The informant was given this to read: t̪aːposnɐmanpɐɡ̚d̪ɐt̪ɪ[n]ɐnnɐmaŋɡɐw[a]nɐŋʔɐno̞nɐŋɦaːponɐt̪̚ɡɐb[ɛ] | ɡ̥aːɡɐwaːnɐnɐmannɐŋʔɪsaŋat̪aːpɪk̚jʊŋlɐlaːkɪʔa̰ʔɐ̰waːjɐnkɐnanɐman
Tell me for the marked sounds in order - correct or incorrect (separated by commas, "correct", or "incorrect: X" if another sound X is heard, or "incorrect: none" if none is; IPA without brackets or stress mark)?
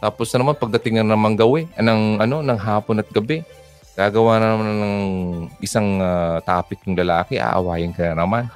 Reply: incorrect: ŋ, incorrect: ɛ, correct